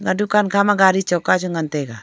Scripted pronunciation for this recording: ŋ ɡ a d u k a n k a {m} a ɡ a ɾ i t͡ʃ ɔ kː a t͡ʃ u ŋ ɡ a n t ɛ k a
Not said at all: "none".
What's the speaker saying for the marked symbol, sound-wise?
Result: m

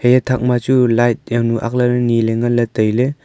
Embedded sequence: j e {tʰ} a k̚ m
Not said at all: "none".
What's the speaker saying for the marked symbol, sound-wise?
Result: tʰ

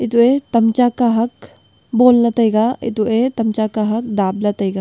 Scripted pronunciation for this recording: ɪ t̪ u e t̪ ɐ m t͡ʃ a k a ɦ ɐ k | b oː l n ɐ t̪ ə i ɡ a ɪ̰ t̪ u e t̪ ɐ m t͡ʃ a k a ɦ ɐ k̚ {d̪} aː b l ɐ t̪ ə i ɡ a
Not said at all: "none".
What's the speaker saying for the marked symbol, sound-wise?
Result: d̪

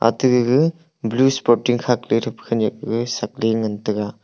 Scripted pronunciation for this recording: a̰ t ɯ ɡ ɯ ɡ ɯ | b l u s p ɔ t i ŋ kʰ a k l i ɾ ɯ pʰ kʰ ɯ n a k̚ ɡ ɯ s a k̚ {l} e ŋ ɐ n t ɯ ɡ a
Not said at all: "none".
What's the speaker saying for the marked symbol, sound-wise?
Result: l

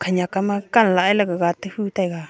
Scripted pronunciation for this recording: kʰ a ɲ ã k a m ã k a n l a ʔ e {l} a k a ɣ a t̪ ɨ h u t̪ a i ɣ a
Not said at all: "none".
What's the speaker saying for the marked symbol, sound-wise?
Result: l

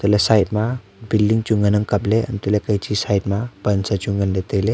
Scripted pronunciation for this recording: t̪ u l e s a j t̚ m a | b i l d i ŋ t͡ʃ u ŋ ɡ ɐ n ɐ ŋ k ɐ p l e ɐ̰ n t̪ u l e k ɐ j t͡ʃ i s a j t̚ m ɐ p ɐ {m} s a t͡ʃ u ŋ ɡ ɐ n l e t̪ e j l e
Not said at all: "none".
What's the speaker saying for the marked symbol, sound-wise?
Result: n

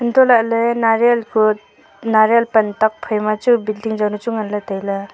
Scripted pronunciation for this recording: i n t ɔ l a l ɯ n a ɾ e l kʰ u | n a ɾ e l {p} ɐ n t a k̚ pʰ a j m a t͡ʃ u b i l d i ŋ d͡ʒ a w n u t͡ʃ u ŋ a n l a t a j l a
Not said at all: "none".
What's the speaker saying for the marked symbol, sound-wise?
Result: p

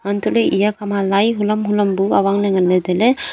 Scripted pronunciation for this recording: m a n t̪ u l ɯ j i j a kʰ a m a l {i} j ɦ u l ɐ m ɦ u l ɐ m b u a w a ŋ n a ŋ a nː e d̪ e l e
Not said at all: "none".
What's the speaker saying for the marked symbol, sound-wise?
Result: a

